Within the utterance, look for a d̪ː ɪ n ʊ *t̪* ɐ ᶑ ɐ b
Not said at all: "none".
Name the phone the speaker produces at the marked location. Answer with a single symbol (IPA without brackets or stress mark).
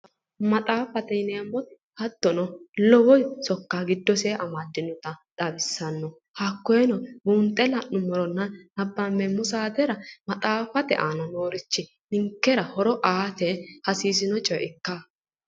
t̪